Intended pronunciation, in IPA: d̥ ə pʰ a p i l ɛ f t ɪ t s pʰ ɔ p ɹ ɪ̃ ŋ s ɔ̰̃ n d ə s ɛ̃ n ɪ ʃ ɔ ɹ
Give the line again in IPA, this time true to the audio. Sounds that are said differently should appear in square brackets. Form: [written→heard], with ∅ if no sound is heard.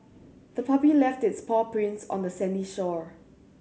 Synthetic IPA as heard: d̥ ə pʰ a p i l ɛ f t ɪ t s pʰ ɔ p ɹ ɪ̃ [ŋ→n] s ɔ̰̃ n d ə s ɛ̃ n [ɪ→i] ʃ ɔ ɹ

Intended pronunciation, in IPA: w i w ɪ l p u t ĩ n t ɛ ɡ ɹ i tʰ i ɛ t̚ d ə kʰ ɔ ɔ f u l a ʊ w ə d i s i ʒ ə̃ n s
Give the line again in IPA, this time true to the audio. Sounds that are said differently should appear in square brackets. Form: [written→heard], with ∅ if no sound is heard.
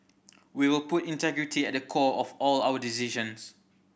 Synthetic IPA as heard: w i w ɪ l p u t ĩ n t ɛ ɡ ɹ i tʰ i ɛ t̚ d ə kʰ ɔ ɔ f [u→ɔ] l a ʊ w ə d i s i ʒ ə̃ n s

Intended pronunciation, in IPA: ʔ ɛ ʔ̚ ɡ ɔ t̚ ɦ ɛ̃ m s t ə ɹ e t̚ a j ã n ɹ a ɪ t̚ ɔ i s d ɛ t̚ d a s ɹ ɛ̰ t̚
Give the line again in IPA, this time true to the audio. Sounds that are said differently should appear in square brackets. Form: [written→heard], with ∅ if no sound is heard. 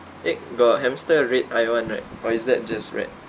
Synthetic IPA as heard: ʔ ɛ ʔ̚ ɡ ɔ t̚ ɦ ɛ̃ m s t ə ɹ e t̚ a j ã n ɹ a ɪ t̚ ɔ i s d ɛ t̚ [d→d͡ʒ] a s ɹ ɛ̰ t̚

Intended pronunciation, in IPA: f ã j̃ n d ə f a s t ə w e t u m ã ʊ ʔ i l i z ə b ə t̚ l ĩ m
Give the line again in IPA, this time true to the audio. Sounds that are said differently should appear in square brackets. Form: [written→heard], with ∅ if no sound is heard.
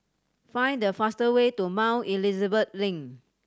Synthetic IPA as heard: f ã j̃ n d ə f a s t ə w e t u m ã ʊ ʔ i l i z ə b ə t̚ l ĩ [m→ŋ]

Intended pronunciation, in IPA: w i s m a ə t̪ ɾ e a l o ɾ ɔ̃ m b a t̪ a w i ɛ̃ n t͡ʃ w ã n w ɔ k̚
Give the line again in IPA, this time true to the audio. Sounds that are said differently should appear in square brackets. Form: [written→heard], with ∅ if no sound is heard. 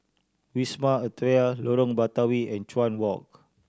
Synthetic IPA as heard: w i s m a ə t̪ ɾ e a l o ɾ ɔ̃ [m→ŋ] b a t̪ a w i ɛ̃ n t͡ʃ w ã n w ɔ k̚

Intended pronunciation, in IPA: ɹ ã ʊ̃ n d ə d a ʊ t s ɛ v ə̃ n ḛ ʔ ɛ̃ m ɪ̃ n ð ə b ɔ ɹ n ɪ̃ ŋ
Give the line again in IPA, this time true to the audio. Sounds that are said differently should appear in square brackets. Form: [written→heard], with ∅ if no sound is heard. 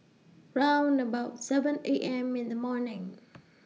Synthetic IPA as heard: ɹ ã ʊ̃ n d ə [d→b] a ʊ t s ɛ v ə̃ n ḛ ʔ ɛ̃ m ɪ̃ n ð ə [b→m] ɔ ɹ n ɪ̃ ŋ

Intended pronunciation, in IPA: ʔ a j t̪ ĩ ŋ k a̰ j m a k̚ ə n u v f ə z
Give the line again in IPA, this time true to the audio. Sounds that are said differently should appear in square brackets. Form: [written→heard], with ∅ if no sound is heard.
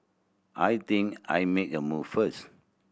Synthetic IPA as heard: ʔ a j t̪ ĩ ŋ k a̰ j m [a→e] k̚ ə [n→m] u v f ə [z→s]

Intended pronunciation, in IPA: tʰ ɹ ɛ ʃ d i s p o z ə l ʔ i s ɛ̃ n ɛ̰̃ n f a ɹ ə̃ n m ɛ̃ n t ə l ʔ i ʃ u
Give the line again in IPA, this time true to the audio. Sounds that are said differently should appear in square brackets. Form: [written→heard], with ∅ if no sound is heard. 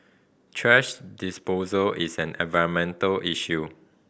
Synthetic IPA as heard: tʰ ɹ ɛ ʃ d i s p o z ə l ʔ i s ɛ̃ n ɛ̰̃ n [f→v] a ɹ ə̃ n m ɛ̃ n t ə l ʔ i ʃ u

